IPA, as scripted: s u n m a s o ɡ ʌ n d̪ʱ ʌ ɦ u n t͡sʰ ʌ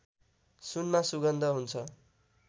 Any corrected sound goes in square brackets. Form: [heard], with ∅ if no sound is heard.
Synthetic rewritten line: s u n m a s [u] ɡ ʌ n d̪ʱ ʌ ɦ u n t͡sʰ ʌ